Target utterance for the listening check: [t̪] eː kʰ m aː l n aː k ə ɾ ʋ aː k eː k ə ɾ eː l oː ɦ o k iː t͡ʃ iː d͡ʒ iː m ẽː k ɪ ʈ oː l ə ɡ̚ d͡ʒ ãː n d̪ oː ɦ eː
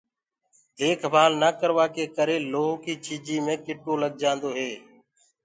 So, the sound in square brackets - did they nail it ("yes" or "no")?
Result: no